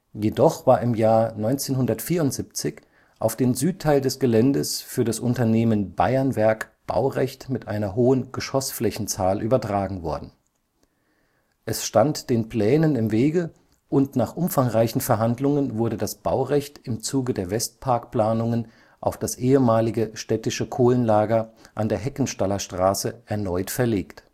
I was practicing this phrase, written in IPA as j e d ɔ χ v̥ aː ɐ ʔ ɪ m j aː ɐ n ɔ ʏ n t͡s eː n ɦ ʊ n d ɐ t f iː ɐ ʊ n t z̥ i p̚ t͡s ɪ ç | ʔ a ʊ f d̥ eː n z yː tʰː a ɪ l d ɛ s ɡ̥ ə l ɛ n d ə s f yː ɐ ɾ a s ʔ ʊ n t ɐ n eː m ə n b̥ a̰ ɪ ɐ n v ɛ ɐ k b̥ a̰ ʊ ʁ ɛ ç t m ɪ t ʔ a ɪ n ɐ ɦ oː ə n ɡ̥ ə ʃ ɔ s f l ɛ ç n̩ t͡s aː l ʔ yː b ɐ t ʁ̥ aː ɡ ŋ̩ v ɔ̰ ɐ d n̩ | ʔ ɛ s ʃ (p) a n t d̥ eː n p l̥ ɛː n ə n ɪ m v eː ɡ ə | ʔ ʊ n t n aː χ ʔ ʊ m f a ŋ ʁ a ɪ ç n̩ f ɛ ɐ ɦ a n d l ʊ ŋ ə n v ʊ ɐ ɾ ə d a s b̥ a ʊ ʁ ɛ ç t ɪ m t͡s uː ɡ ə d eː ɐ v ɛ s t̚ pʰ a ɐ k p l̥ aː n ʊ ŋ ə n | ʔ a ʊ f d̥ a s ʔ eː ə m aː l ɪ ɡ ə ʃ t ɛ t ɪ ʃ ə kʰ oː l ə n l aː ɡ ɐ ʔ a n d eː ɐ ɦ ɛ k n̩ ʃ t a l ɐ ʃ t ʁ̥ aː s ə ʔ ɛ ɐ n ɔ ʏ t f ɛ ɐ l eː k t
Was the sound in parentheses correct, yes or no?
no